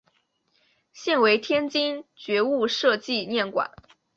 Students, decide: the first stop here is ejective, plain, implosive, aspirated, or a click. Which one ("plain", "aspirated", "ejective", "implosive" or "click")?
aspirated